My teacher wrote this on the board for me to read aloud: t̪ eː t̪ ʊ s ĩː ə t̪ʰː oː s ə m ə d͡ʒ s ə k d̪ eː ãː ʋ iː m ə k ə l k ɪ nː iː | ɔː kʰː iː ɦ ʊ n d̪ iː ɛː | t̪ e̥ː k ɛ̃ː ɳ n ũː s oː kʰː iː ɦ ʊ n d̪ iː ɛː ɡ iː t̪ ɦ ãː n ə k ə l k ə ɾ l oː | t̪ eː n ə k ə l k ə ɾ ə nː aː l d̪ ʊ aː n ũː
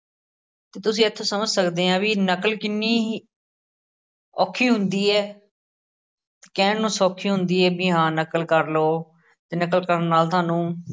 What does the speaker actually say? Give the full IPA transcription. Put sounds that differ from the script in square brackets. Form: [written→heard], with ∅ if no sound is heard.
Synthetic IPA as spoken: t̪ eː t̪ ʊ s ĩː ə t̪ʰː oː s ə m ə d͡ʒ s ə k d̪ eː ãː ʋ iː [m→n] ə k ə l k ɪ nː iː | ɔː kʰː iː ɦ ʊ n d̪ iː ɛː | t̪ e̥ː k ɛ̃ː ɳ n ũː s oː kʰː iː ɦ ʊ n d̪ iː ɛː [ɡ→b] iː [t̪→∅] ɦ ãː n ə k ə l k ə ɾ l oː | t̪ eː n ə k ə l k ə ɾ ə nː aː l [d̪→t̪] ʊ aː n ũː